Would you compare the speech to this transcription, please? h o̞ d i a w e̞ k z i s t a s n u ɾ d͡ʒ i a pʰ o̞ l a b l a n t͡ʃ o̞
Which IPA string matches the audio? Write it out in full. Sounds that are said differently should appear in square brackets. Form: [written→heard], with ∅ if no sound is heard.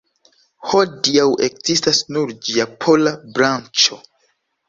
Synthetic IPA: h o̞ d i a w e̞ k z i s t a s n u ɾ d͡ʒ i a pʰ o̞ l a b [l→ɾ] a n t͡ʃ o̞